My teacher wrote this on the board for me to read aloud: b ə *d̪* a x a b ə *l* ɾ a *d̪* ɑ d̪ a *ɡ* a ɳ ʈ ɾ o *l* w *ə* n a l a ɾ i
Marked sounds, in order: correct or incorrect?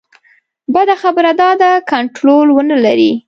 correct, incorrect, correct, incorrect, correct, correct

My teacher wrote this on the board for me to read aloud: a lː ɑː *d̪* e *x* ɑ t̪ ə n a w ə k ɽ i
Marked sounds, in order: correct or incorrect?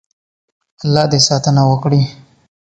correct, incorrect

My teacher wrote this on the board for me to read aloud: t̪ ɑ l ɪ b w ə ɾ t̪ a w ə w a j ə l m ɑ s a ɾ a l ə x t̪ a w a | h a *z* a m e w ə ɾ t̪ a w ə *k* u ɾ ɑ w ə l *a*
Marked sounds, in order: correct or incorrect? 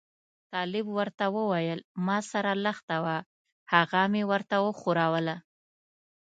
incorrect, incorrect, correct

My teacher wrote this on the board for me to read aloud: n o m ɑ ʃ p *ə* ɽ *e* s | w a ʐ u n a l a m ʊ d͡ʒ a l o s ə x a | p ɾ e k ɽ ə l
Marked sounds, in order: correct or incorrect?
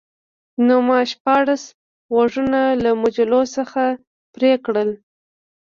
incorrect, incorrect

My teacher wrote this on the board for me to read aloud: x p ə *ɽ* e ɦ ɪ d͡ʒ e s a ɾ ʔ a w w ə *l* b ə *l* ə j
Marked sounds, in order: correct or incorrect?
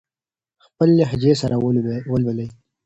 incorrect, correct, correct

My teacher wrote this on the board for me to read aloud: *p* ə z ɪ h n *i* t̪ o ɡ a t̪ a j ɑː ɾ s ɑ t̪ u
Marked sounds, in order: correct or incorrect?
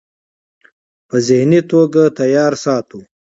correct, correct

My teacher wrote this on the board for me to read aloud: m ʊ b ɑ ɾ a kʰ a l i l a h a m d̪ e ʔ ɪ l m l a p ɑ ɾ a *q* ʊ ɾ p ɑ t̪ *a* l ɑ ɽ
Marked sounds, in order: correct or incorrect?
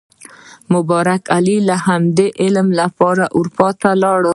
incorrect, correct

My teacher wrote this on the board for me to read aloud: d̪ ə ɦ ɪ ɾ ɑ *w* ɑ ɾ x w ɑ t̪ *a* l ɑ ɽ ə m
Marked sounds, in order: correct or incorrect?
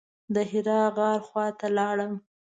incorrect, correct

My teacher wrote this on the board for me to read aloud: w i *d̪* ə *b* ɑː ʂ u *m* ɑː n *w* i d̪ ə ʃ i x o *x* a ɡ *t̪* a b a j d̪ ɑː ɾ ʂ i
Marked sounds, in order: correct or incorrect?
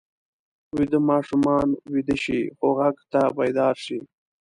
correct, incorrect, correct, correct, incorrect, correct

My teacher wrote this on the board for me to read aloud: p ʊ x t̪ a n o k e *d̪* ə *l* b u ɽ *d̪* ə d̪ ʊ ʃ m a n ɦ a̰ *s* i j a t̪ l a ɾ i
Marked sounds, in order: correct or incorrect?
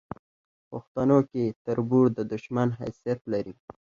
incorrect, incorrect, correct, correct

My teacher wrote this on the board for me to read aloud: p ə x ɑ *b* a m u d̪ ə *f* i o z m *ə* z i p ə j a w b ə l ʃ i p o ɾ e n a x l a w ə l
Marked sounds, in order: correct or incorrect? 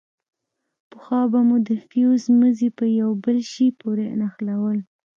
correct, correct, correct

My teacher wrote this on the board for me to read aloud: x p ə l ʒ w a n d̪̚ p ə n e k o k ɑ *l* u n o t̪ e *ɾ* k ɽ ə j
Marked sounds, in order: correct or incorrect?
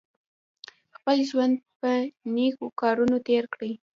incorrect, correct

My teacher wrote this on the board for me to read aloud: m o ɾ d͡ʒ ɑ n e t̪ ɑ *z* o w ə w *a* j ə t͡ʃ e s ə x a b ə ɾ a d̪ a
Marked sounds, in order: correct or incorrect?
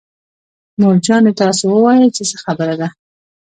incorrect, incorrect

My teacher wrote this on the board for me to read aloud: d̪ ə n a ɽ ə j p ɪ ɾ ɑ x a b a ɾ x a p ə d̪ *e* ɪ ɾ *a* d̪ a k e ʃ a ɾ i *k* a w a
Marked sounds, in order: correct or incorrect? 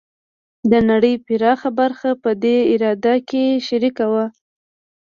correct, incorrect, correct

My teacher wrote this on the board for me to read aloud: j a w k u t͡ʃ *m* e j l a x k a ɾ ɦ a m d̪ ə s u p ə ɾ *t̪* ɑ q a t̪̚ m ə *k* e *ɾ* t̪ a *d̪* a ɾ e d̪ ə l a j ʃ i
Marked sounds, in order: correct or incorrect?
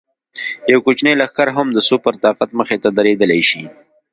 incorrect, correct, incorrect, incorrect, correct

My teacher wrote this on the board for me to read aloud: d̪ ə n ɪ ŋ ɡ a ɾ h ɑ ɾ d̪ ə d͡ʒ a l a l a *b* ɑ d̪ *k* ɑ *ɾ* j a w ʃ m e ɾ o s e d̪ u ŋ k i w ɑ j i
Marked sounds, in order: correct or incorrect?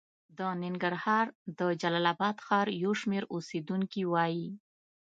correct, incorrect, correct

